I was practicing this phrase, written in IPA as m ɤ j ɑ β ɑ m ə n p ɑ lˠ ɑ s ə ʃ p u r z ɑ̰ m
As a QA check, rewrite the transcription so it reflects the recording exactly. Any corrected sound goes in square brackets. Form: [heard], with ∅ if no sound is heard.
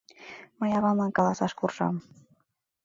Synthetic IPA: m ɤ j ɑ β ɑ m [ɑ] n [k] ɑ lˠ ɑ s [ɑ] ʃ [k] u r [ʒ] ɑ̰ m